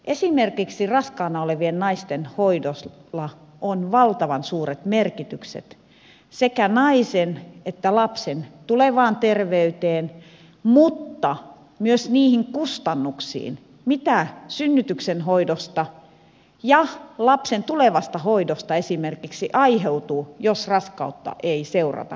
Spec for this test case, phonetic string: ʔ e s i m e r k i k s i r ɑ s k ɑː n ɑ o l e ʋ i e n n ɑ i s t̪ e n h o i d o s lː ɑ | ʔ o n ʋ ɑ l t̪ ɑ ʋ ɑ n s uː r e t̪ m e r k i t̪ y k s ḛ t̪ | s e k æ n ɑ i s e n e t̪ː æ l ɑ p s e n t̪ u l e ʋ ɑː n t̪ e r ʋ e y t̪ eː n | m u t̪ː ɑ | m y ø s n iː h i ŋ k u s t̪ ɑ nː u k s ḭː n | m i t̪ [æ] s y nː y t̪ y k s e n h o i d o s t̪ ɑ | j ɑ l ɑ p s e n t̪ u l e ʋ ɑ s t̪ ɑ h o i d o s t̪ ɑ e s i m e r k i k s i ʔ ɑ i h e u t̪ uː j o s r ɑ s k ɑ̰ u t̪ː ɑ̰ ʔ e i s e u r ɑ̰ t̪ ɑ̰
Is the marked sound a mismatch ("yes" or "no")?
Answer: no